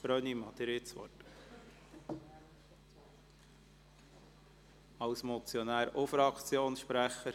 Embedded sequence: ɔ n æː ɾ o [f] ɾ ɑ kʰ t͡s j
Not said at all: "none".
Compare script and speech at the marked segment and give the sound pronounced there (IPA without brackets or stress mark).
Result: f